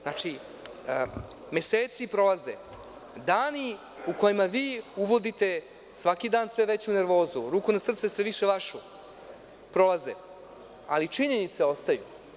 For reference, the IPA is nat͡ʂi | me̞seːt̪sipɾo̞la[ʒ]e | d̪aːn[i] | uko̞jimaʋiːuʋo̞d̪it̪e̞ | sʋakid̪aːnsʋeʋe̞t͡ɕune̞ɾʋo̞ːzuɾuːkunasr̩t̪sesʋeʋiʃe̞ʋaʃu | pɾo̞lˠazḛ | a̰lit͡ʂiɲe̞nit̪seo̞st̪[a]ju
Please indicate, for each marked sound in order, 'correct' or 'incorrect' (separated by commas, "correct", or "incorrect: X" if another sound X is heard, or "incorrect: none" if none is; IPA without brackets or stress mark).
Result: incorrect: z, correct, correct